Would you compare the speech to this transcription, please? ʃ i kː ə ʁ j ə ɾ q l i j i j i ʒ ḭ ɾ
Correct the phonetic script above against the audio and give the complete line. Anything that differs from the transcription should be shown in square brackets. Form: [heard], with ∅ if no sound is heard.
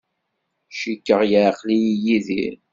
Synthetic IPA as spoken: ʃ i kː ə ʁ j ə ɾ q l i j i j i [ð] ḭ ɾ